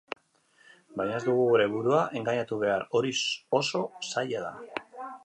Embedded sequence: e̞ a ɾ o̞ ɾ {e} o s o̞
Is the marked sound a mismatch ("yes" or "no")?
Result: yes